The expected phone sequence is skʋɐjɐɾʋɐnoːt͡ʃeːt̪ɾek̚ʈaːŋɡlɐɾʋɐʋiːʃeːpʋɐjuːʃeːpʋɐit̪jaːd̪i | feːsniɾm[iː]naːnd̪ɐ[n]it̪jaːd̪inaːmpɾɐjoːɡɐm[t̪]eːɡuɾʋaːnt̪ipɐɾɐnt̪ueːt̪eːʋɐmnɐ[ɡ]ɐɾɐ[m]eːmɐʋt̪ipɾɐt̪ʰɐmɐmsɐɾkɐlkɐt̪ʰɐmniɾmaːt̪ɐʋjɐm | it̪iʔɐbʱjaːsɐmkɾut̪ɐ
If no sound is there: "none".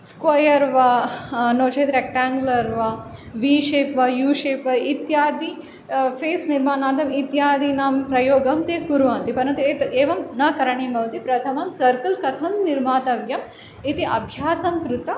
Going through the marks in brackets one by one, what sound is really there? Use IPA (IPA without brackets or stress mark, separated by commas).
aː, m, t̪, k, ɳ